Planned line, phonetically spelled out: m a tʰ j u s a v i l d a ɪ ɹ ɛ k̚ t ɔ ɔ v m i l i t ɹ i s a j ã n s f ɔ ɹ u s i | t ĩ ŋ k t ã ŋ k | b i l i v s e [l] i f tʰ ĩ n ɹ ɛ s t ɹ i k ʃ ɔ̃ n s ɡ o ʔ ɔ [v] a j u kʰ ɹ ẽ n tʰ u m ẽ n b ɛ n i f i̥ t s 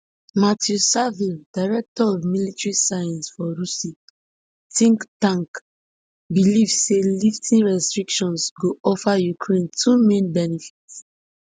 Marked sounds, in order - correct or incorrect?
correct, incorrect: f

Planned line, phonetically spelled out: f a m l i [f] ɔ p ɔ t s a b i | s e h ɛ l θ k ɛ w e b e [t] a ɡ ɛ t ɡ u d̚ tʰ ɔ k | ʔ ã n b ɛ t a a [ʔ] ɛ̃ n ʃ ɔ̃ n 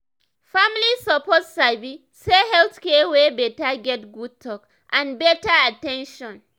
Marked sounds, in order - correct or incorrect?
incorrect: s, correct, incorrect: t

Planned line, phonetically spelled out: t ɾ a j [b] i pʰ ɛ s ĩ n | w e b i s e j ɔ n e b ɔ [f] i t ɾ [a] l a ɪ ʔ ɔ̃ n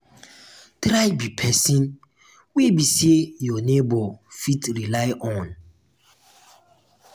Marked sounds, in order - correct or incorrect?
correct, correct, incorrect: i

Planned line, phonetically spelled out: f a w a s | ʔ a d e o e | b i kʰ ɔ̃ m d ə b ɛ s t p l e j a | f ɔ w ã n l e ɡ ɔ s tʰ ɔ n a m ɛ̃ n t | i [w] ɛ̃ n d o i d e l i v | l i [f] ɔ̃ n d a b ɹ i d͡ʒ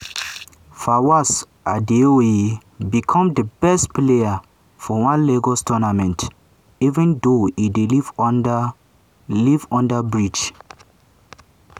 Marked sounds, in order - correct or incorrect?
incorrect: v, incorrect: v

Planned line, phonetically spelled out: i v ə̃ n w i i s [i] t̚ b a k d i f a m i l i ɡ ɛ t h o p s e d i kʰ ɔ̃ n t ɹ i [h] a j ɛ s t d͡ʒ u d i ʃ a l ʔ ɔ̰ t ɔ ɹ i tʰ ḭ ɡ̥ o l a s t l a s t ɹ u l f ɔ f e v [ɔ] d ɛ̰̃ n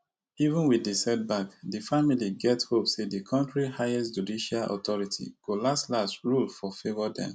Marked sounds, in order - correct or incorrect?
incorrect: ɛ, correct, correct

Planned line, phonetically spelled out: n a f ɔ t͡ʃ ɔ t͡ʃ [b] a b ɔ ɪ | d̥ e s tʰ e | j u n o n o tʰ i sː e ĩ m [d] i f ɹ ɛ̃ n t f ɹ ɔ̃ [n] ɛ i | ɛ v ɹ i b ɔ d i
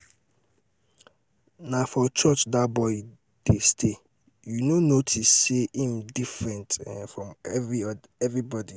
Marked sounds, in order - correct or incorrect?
incorrect: d, correct, incorrect: m

